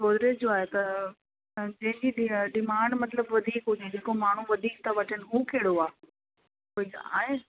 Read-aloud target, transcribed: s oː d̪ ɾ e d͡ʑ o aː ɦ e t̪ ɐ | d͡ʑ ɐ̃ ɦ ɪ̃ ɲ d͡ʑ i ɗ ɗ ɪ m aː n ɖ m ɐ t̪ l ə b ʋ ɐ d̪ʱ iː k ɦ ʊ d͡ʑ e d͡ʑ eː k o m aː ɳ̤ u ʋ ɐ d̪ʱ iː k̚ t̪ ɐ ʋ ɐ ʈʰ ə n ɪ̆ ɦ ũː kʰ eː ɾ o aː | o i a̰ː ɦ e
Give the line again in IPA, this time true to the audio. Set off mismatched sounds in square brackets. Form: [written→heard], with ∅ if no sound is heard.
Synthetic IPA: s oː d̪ ɾ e d͡ʑ o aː ɦ e t̪ ɐ | d͡ʑ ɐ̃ ɦ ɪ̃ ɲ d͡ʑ i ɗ ɗ ɪ m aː [n→ɳ] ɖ m ɐ t̪ l ə b ʋ ɐ d̪ʱ iː k ɦ ʊ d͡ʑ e d͡ʑ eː k o m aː ɳ̤ u ʋ ɐ d̪ʱ iː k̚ t̪ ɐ ʋ ɐ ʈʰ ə n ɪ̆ ɦ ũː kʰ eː [ɾ→ɽ] o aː | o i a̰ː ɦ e